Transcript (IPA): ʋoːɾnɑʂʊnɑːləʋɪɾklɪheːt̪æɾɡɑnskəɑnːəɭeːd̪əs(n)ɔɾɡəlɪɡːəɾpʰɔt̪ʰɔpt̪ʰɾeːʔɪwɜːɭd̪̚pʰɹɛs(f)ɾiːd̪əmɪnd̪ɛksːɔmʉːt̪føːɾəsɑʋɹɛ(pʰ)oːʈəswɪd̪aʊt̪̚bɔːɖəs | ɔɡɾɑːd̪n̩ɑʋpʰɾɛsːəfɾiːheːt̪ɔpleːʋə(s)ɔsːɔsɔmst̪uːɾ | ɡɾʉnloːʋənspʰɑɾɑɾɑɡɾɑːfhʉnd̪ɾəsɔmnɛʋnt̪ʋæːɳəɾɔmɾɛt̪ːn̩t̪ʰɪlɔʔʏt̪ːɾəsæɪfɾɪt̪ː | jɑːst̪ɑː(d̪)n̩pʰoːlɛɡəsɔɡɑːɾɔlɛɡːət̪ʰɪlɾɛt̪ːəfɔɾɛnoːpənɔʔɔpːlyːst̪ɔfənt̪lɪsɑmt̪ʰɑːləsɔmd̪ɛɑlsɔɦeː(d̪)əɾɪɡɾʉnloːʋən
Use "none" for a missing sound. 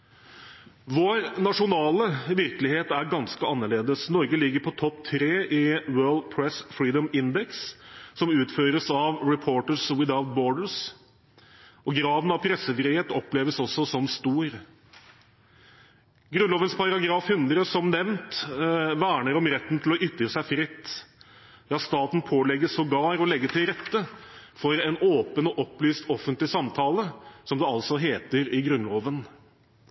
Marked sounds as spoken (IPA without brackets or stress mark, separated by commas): n, f, pʰ, s, t̪, t̪